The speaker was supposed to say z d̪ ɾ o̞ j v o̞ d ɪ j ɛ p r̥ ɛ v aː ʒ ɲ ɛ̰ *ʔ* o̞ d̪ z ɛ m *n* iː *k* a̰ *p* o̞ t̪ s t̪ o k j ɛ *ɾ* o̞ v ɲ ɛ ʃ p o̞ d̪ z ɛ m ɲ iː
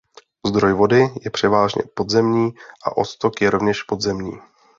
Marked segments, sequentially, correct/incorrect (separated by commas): incorrect, incorrect, incorrect, incorrect, correct